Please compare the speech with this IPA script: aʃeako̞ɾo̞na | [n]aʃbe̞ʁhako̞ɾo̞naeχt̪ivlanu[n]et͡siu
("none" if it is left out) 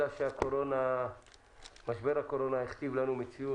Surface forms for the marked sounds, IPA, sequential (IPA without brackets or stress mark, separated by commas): m, m